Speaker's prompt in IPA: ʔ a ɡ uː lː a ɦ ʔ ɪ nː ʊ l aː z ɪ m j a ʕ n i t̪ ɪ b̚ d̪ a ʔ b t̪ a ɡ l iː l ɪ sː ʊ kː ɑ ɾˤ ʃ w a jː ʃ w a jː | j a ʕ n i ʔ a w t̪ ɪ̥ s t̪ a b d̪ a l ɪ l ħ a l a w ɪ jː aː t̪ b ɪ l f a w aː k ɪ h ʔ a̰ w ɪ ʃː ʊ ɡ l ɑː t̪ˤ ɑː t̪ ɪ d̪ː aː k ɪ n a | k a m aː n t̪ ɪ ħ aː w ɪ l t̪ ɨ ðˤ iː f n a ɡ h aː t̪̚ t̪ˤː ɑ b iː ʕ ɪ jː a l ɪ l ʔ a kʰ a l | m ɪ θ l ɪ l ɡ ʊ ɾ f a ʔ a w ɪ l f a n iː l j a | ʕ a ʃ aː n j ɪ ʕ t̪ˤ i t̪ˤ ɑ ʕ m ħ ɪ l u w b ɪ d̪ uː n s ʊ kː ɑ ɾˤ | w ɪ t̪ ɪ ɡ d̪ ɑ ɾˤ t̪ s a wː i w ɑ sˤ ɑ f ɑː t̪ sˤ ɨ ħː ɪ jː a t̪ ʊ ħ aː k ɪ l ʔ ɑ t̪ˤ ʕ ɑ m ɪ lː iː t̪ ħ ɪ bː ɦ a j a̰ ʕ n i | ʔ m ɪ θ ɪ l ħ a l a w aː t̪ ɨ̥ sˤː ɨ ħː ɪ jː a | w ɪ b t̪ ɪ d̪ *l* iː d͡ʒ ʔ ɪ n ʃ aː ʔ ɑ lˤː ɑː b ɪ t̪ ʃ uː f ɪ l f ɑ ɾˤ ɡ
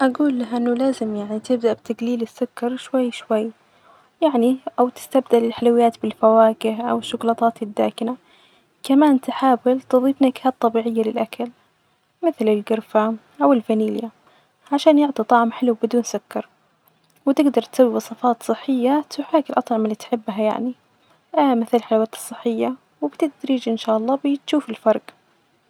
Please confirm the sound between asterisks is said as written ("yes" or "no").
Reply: no